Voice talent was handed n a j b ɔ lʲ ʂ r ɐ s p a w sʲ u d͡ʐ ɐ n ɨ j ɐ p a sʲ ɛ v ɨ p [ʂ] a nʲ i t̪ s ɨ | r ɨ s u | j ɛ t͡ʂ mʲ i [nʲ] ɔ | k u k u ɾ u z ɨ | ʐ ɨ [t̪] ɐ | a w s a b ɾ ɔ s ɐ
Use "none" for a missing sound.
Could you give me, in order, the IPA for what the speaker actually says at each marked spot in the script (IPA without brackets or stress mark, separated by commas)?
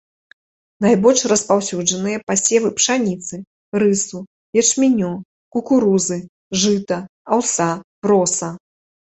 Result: ʂ, nʲ, t̪